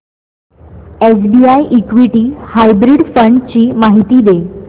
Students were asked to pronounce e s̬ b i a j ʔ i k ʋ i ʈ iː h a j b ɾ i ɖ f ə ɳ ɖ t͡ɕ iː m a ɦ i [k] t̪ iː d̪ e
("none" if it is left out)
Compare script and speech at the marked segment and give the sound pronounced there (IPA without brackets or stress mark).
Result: none